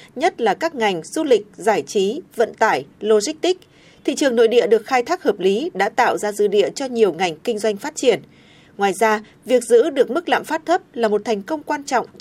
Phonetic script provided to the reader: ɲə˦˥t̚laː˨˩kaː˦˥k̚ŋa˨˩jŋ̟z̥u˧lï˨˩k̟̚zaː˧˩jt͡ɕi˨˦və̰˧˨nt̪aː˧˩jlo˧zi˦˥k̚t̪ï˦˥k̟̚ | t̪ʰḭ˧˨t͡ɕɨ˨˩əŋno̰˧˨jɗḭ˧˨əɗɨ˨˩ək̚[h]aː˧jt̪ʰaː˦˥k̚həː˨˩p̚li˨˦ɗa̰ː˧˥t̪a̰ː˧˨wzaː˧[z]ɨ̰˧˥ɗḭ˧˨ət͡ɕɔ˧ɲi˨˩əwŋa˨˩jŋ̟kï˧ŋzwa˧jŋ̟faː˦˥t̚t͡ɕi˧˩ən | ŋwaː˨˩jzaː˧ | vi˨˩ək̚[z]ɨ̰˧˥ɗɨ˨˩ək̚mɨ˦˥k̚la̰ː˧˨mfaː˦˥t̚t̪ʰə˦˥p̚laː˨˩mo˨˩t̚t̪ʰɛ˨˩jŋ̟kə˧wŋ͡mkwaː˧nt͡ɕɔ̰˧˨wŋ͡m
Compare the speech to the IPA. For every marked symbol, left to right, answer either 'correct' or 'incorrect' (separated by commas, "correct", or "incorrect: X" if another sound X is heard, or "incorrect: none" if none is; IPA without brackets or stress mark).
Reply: incorrect: x, correct, correct